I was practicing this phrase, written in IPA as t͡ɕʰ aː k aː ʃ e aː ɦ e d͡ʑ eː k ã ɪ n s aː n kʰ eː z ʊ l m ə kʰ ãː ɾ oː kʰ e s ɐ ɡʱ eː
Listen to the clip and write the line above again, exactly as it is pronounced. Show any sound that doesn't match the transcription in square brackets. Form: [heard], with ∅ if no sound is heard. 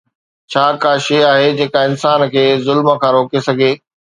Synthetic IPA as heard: t͡ɕʰ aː k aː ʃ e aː ɦ e d͡ʑ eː k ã ɪ n s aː n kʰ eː z ʊ l m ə kʰ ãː ɾ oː [k] e s ɐ ɡʱ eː